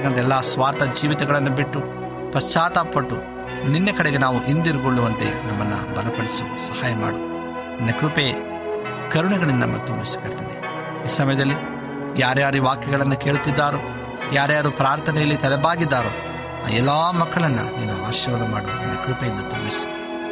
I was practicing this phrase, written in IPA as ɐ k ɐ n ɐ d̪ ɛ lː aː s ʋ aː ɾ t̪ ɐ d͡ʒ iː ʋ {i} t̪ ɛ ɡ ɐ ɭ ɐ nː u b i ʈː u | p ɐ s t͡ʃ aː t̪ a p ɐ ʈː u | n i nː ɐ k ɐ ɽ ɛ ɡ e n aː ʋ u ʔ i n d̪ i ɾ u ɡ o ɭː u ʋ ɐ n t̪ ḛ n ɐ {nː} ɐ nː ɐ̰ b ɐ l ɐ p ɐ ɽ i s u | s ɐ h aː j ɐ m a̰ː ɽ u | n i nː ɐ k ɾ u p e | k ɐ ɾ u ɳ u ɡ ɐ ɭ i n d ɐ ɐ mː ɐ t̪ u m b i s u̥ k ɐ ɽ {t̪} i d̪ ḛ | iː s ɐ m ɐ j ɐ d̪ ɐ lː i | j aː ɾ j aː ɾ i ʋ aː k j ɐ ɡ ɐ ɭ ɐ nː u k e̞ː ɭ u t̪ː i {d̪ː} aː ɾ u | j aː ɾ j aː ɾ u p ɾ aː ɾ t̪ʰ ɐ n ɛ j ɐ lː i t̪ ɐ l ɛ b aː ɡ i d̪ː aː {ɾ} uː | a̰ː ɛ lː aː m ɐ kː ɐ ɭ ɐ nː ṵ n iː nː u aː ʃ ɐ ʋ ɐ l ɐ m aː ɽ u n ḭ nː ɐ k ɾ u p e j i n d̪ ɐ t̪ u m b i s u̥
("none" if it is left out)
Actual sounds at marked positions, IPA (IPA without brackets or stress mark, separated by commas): i, mː, t̪, d̪ː, ɾ